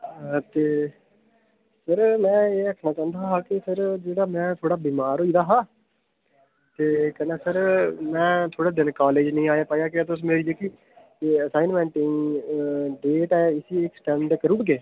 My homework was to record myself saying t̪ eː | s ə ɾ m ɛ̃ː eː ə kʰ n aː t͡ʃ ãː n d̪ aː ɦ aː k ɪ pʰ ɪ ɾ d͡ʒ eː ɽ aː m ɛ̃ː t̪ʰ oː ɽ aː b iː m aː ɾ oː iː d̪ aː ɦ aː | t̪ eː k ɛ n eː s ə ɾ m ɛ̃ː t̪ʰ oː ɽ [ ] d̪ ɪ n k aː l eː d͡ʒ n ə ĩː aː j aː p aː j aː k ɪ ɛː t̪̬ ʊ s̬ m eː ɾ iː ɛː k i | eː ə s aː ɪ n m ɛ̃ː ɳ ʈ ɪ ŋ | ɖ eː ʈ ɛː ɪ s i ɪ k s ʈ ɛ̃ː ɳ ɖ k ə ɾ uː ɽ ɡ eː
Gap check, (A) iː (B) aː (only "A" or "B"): B